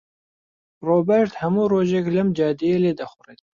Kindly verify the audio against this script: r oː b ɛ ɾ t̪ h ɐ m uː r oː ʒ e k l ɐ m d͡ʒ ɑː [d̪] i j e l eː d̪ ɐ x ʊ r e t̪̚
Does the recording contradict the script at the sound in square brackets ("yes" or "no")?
no